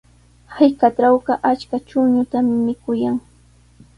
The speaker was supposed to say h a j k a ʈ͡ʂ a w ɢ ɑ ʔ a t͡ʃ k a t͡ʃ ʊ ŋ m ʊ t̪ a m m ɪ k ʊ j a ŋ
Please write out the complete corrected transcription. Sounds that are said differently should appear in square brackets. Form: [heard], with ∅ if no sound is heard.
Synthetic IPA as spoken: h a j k a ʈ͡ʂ a w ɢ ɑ ʔ a t͡ʃ k a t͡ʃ ʊ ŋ [ɲ] ʊ t̪ a m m ɪ k ʊ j a ŋ